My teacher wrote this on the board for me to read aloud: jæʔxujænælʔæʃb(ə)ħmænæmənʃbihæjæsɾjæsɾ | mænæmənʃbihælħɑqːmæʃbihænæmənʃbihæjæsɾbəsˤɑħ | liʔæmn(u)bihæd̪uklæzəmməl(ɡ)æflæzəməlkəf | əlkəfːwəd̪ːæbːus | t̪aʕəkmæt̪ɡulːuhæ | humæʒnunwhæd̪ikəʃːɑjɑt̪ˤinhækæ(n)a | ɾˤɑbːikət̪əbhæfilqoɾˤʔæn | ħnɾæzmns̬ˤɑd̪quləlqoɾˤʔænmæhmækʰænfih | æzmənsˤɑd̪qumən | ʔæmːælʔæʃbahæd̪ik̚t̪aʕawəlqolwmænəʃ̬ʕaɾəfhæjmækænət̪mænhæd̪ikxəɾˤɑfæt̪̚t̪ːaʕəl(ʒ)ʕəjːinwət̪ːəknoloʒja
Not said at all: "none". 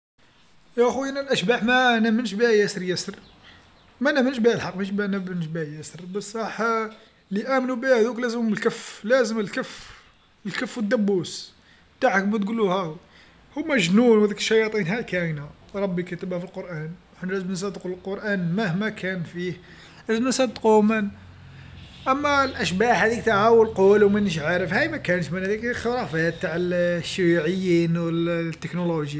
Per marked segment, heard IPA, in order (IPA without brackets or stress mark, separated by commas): a, u, k, n, ʃ